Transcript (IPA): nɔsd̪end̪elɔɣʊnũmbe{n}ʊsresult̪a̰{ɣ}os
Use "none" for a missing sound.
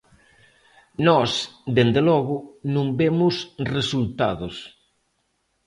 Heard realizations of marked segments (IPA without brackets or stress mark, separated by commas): m, ð